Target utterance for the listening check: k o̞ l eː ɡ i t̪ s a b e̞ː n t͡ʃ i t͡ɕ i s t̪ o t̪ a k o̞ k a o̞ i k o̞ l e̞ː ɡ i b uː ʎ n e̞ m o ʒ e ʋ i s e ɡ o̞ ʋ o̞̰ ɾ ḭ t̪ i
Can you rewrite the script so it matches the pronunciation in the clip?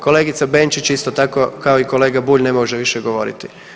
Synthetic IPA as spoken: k o̞ l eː ɡ i t̪ s a b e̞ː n t͡ʃ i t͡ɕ i s t̪ o t̪ a k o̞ k a o̞ i k o̞ l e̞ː ɡ a b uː ʎ n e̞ m o ʒ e ʋ i ʃ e ɡ o̞ ʋ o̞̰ ɾ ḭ t̪ i